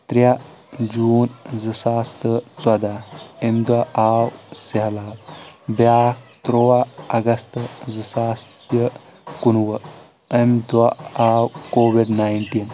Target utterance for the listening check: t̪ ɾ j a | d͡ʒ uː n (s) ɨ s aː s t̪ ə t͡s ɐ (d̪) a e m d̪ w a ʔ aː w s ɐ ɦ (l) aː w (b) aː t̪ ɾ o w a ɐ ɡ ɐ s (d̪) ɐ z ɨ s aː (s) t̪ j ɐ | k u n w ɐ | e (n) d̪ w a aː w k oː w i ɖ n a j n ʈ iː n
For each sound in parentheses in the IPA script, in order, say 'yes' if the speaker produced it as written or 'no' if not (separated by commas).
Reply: no, yes, yes, yes, no, yes, no